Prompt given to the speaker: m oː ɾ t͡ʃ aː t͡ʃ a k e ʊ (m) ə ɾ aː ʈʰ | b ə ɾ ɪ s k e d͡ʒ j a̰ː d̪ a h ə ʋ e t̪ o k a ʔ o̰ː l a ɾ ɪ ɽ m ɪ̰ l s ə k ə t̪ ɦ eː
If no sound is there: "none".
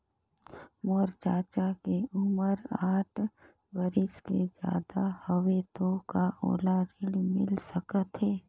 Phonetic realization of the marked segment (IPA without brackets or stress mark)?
m